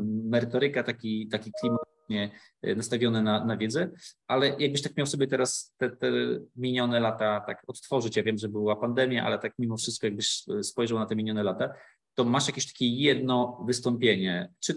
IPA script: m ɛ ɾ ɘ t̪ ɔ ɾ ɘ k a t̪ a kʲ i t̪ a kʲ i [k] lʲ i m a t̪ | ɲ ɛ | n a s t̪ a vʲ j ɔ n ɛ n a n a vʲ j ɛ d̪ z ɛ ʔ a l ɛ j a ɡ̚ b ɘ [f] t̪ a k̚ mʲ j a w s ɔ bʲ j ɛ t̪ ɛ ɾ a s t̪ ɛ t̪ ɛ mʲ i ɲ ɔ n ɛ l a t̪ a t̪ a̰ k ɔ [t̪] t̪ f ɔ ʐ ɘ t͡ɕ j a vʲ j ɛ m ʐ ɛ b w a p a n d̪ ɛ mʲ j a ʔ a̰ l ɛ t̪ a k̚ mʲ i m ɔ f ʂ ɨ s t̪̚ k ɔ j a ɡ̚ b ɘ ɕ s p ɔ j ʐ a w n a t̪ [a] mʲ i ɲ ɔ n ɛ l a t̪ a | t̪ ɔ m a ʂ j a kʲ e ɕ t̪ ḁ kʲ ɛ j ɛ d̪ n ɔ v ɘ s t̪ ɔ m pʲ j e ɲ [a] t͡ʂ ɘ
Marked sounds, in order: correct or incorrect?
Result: correct, incorrect, correct, incorrect, incorrect

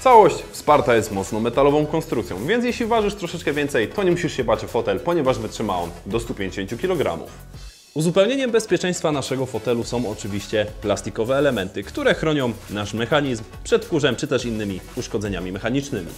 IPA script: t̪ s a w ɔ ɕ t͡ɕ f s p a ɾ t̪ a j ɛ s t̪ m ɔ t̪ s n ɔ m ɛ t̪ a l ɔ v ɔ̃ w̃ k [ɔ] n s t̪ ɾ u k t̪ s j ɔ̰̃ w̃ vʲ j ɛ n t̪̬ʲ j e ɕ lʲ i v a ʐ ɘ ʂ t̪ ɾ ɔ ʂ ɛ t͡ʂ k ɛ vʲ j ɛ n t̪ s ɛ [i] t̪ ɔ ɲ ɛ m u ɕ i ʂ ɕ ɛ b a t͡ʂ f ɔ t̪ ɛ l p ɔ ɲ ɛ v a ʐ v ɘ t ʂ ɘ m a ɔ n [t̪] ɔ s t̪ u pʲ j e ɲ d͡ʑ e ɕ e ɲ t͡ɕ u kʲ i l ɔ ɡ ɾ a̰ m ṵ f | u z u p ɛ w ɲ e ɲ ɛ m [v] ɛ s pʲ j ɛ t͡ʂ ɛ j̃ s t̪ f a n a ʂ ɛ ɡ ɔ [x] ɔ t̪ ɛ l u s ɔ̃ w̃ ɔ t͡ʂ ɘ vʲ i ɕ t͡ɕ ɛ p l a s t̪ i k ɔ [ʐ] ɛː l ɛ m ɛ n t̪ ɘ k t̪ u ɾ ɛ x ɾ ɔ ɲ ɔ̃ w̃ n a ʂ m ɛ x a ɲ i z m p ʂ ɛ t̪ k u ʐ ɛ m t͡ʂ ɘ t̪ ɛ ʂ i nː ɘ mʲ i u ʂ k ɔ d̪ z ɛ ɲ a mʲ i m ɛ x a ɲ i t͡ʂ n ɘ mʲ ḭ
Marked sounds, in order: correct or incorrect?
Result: correct, incorrect, incorrect, incorrect, incorrect, incorrect

